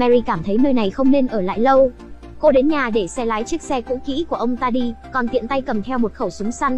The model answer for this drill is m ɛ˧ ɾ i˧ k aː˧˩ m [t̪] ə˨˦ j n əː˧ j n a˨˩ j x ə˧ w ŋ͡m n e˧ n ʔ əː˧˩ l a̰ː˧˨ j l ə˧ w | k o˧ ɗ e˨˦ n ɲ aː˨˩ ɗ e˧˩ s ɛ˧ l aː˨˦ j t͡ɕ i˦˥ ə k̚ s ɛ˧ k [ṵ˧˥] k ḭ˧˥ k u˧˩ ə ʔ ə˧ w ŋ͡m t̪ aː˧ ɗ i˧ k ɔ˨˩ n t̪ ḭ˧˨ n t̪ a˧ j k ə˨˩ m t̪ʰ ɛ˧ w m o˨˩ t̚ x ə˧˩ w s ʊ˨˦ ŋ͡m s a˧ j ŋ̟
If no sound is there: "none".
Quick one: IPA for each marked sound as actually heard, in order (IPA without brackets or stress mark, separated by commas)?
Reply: t̪ʰ, ṵ˧˥